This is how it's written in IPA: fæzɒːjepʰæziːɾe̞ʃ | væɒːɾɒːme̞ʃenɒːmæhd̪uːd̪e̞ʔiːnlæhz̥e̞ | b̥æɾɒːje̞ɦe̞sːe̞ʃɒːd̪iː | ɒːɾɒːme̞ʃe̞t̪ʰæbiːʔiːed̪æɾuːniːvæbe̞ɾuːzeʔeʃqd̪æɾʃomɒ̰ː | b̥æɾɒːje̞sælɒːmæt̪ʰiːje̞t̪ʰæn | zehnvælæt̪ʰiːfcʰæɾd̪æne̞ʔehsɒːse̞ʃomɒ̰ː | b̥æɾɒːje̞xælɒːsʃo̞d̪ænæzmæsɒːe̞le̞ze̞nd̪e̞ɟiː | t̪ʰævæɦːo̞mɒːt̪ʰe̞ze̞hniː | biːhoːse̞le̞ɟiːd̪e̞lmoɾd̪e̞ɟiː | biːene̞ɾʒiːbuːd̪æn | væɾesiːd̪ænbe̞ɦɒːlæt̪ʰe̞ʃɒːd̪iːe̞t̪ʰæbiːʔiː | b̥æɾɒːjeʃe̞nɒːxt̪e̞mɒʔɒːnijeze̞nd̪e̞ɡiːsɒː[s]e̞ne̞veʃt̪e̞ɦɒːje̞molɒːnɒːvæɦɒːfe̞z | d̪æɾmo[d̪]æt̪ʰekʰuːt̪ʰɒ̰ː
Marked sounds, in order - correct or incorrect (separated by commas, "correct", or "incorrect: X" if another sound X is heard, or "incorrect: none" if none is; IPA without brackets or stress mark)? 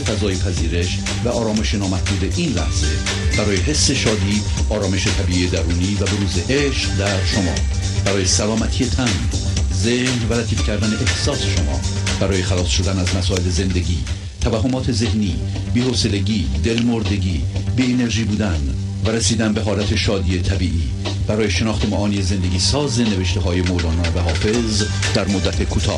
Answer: incorrect: z, incorrect: d̪ː